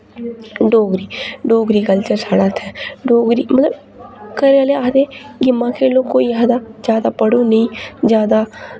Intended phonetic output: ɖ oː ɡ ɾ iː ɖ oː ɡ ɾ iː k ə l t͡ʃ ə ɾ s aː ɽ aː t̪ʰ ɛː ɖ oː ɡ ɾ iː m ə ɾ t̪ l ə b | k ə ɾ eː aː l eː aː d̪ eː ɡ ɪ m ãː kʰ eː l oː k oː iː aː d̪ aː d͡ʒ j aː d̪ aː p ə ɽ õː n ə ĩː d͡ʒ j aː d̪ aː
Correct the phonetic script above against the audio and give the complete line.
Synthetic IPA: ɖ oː ɡ ɾ iː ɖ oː ɡ ɾ iː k ə l t͡ʃ ə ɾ s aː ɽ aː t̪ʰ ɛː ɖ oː ɡ ɾ iː m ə t̪ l ə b | k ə ɾ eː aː l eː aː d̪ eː ɡ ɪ m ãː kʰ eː l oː k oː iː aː d̪ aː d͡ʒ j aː d̪ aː p ə ɽ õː n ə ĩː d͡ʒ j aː d̪ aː